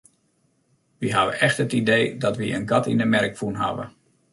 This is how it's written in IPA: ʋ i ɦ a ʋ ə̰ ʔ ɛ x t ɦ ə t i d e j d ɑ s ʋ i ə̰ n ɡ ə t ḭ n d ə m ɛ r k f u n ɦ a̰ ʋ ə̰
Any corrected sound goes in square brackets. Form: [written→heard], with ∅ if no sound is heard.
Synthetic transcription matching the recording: ʋ i ɦ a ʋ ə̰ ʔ ɛ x t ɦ ə t i d e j d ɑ [s→t] ʋ i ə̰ n ɡ [ə→ɑ] t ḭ n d ə m ɛ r k f u n ɦ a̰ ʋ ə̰